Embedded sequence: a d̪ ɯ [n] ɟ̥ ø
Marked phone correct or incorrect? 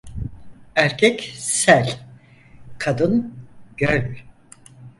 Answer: correct